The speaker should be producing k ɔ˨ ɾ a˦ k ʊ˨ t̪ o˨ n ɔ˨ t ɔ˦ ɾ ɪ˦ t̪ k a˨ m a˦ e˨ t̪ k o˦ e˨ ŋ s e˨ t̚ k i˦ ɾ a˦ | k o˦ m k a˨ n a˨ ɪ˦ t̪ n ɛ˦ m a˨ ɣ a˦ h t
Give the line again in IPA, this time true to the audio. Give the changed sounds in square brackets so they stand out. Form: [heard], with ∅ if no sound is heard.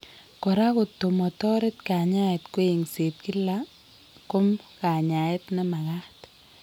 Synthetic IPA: k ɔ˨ ɾ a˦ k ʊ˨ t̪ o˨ [m] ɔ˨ t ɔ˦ ɾ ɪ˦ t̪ k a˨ [ɲ] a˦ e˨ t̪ k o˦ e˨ ŋ s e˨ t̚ k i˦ [l] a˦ | k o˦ m k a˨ [ɲ] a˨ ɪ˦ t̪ n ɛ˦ m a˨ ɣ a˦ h t